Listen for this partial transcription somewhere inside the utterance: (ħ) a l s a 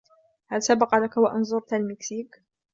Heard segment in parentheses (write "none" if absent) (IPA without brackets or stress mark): h